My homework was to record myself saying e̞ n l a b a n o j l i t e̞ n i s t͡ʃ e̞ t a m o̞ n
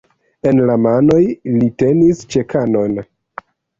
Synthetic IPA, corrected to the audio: e̞ n l a m a n o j l i t e̞ n i s t͡ʃ e̞ k a n o̞ n